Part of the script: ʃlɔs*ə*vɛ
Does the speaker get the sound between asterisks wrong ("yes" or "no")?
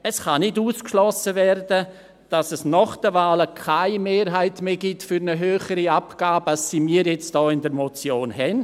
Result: no